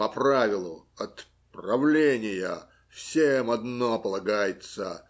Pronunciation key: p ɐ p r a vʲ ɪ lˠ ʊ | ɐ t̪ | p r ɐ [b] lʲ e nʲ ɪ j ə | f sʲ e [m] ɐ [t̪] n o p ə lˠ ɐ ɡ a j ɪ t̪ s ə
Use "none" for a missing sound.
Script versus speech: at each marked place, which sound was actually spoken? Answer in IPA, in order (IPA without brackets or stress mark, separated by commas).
v, m, d̪